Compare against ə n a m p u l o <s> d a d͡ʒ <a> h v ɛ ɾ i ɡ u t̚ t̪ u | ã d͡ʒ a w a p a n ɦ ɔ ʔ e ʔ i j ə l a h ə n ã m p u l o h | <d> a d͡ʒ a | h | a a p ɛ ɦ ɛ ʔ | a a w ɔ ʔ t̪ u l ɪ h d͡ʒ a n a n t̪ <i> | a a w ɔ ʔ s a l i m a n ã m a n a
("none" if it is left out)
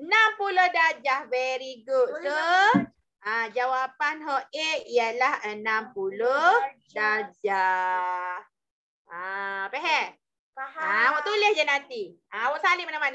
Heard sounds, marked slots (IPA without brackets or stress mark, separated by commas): h, a, d, i